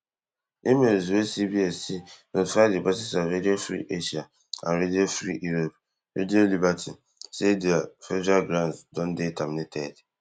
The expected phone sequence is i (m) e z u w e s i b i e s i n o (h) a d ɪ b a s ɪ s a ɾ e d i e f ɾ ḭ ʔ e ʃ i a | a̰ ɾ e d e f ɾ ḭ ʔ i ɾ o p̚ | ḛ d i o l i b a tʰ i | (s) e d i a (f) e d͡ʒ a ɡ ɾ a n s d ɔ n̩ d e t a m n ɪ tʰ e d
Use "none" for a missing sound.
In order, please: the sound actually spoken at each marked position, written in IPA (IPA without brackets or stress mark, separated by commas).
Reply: m, f, s, f